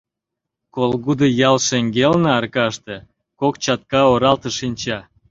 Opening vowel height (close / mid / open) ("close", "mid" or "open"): mid